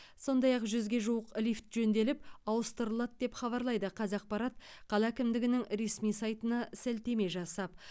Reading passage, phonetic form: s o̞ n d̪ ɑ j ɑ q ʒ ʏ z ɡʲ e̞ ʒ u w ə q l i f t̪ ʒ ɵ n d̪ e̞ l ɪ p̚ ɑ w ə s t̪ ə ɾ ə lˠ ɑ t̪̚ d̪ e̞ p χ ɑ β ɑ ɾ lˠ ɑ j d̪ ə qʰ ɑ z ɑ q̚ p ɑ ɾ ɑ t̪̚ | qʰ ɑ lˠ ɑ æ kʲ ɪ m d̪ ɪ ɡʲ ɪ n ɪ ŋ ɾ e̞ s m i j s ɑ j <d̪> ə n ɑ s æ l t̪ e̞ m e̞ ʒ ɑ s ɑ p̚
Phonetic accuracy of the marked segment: incorrect: t̪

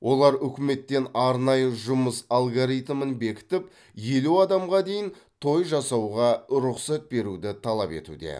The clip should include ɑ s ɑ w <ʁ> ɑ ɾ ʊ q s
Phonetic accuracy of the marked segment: correct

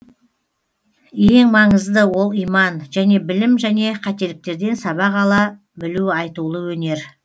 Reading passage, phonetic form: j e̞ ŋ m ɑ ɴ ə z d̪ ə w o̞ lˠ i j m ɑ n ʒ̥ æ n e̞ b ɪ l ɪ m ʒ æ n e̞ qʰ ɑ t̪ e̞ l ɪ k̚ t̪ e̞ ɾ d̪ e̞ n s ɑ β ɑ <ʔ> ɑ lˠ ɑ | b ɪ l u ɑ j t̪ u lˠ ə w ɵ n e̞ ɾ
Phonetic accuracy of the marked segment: incorrect: q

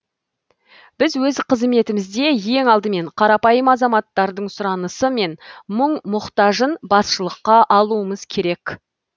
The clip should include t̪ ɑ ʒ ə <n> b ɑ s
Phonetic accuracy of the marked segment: correct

